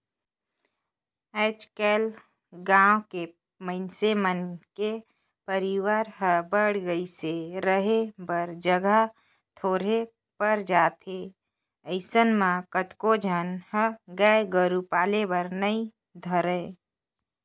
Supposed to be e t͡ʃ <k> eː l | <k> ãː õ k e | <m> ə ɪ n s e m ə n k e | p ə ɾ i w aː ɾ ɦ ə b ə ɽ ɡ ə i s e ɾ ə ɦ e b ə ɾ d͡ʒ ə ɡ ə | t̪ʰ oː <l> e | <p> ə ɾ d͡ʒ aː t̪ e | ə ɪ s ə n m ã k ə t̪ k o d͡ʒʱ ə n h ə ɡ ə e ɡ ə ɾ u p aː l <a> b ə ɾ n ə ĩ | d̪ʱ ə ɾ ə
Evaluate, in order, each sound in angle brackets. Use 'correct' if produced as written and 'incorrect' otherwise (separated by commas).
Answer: correct, incorrect, correct, incorrect, correct, incorrect